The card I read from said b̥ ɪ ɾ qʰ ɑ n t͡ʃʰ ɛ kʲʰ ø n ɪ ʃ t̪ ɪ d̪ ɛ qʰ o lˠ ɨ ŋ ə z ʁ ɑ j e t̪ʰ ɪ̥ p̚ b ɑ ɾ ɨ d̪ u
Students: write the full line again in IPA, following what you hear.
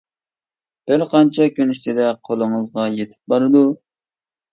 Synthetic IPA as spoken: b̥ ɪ ɾ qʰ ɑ n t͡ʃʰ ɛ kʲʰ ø n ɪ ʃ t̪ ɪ d̪ ɛ qʰ o lˠ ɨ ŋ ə z ʁ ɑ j e t̪ʰ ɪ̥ p̚ b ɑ ɾ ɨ d̪ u